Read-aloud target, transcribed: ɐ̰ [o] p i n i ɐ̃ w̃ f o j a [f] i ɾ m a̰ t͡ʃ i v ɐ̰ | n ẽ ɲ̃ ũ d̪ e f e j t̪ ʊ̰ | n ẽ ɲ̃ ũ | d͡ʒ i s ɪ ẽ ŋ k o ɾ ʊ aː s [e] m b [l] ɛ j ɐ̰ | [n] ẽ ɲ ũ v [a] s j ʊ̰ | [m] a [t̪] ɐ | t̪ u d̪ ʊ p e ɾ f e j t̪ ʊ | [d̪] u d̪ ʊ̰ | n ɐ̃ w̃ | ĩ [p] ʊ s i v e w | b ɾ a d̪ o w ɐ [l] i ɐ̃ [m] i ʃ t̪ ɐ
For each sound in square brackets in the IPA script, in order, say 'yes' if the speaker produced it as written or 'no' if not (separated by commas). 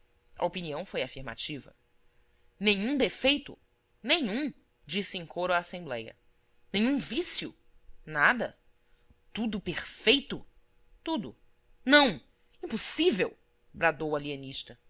yes, yes, no, yes, yes, no, no, no, no, yes, yes, no